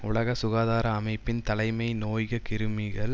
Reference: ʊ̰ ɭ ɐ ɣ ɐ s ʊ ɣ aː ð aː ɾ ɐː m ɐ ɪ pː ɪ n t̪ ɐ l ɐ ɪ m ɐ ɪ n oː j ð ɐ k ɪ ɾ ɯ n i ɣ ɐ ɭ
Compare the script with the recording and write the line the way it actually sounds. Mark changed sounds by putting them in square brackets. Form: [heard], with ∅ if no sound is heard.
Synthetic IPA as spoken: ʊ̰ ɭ ɐ ɣ ɐ s ʊ ɣ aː ð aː ɾ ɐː m ɐ ɪ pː ɪ n t̪ ɐ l ɐ ɪ m ɐ ɪ n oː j [ɣ] ɐ k ɪ ɾ ɯ [m] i ɣ ɐ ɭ